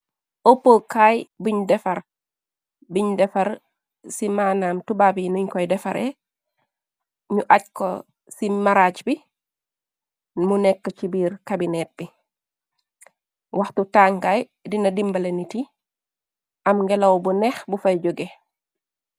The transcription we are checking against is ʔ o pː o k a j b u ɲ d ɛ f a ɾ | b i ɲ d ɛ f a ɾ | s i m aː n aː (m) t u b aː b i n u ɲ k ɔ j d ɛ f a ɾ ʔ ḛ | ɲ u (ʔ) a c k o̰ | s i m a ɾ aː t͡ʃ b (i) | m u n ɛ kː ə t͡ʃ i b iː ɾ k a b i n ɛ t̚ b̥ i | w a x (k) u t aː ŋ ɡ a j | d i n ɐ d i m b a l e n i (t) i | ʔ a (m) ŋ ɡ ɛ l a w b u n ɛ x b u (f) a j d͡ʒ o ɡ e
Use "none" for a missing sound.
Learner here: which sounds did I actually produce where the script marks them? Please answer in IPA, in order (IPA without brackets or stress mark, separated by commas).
m, ʔ, i, t, t, m, f